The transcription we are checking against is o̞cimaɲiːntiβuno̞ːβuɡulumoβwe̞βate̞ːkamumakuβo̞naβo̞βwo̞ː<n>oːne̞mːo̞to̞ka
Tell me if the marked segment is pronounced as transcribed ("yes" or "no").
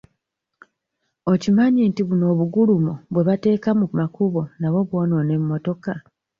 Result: yes